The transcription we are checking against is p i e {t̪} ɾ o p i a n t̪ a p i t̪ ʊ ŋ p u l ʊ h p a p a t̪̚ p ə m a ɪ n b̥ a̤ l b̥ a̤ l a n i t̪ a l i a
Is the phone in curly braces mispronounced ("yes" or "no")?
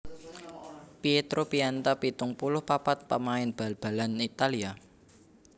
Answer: no